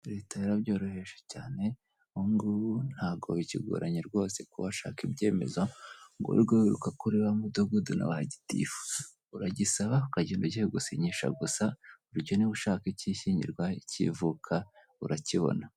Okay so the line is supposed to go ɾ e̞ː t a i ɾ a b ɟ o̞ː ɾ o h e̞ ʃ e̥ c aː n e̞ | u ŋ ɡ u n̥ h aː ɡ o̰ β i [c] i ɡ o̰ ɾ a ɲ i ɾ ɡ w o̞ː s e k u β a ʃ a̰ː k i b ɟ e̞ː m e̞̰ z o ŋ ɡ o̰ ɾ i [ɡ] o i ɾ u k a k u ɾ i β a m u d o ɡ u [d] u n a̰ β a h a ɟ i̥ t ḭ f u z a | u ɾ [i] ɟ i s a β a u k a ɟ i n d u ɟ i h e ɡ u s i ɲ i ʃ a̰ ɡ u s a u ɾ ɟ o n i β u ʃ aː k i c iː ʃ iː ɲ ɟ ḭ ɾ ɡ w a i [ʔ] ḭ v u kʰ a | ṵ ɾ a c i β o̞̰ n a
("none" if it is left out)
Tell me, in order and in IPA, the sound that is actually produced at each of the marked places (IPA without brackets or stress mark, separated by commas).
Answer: c, ɡ, d, a, c